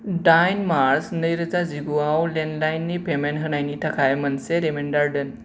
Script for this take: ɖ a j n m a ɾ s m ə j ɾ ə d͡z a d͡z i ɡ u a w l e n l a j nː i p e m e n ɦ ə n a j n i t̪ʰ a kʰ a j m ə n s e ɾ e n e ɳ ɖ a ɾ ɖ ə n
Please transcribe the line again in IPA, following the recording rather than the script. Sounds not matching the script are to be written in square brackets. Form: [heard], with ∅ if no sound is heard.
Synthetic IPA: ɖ a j n m a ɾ s [n] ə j ɾ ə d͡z a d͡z i ɡ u a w l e n l a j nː i p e m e n ɦ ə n a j n i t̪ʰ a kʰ a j m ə n s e ɾ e [m] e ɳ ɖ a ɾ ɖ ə n